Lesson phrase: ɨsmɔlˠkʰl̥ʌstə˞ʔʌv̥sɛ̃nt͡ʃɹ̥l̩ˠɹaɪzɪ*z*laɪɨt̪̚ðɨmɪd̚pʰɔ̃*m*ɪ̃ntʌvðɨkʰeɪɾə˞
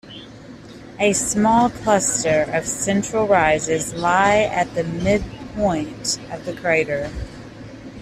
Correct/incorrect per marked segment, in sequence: correct, incorrect

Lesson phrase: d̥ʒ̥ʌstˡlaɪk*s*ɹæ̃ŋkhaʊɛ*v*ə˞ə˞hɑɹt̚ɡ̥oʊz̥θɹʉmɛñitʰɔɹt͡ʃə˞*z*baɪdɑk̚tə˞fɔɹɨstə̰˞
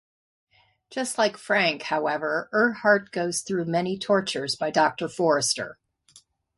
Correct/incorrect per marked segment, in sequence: incorrect, correct, correct

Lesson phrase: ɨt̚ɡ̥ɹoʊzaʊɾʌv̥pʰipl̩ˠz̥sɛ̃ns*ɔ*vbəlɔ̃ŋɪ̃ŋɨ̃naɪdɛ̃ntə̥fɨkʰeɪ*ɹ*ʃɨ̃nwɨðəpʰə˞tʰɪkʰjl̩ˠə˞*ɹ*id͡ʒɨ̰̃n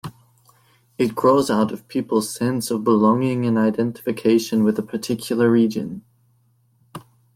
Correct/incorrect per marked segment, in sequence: incorrect, incorrect, correct

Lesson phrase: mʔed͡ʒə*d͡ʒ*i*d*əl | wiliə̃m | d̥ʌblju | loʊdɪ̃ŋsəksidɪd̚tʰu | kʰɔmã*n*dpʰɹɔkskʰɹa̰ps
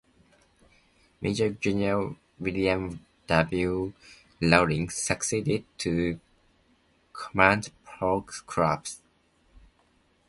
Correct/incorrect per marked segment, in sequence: correct, incorrect, correct

